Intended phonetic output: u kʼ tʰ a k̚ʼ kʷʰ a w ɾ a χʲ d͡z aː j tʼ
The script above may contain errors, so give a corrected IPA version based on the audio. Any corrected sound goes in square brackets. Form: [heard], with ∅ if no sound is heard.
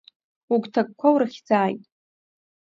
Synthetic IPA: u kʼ tʰ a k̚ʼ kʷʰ a w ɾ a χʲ d͡z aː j tʼ